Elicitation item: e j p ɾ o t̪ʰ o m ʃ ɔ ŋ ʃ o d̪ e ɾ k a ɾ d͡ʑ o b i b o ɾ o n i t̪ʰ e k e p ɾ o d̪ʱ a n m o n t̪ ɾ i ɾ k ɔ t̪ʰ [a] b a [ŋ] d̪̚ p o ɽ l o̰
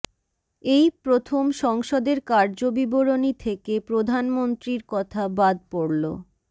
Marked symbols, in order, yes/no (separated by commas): yes, no